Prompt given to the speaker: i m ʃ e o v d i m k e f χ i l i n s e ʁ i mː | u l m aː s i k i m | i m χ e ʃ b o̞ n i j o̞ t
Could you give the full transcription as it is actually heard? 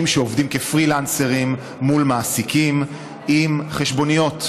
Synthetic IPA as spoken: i m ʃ e o v d i m k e f ʁ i l a n s e ʁ i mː | u l m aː s i k i m | i m χ e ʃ b o̞ n i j o̞ t